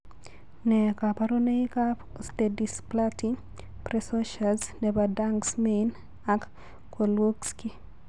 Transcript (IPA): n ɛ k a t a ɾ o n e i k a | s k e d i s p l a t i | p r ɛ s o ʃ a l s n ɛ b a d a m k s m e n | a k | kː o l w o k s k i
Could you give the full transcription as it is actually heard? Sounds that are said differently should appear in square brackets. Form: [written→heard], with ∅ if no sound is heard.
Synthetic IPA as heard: n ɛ k a [t→p] a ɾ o n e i k a | s [k→t] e d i s p l a t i | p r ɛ s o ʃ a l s n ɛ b a d a [m→ŋ] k s m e n | a k | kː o l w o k s k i